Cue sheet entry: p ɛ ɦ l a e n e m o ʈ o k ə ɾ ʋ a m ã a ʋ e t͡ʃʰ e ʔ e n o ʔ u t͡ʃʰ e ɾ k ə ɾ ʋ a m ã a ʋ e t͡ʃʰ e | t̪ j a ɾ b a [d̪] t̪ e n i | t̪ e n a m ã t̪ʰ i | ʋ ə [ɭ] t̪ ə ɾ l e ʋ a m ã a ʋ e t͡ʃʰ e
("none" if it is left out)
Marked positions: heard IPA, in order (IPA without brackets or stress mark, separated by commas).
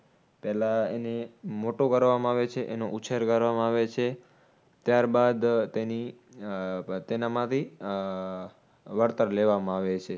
d̪, ɾ